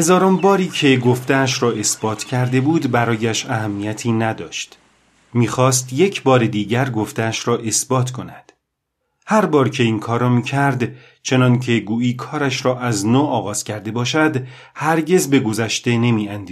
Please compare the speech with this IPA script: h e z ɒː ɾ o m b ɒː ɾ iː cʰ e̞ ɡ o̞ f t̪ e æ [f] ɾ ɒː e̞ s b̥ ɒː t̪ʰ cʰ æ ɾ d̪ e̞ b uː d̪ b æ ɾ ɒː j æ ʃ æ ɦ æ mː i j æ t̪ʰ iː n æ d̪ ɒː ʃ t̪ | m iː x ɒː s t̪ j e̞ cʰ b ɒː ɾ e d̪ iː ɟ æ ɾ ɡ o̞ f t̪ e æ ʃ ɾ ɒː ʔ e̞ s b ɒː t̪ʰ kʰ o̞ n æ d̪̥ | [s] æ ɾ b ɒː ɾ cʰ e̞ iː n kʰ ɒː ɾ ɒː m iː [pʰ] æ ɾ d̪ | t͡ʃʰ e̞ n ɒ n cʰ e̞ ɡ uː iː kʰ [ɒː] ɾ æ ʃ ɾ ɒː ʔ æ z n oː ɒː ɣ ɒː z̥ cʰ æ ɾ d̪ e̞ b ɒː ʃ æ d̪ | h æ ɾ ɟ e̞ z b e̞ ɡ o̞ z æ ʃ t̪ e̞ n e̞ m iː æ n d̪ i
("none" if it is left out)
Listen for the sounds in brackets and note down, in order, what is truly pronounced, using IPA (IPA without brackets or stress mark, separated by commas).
ʃ, h, cʰ, ɒː